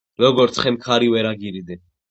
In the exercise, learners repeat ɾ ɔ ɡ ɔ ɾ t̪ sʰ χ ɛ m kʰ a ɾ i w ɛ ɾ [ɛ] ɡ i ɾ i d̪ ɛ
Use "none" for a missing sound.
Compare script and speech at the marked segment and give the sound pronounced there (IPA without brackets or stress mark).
a